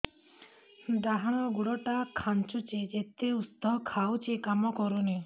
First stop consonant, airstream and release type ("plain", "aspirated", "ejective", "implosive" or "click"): plain